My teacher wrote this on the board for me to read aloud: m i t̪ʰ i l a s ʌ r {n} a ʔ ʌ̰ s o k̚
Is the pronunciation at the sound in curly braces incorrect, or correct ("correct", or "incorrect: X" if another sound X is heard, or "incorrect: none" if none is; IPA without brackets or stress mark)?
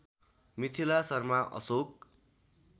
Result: incorrect: m